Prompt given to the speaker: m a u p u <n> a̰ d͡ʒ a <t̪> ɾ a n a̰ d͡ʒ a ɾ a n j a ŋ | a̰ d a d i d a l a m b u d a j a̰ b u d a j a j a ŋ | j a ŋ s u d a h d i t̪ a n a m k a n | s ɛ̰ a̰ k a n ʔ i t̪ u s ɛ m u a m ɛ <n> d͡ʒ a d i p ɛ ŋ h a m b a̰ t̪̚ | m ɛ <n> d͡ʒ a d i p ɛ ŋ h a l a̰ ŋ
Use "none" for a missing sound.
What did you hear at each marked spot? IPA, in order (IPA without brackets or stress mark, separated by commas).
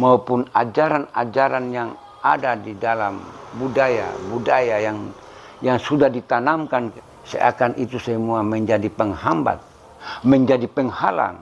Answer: n, none, ɲ, ɲ